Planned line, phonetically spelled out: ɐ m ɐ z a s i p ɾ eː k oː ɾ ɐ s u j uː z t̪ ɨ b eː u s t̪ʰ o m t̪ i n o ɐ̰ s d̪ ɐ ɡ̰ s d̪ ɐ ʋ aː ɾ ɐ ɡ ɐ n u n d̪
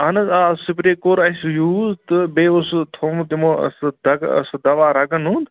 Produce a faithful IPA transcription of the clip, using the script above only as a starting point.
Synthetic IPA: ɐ n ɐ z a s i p ɾ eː k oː ɾ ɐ s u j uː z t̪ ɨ b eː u s t̪ʰ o m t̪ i m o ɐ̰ s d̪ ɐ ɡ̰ s d̪ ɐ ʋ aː ɾ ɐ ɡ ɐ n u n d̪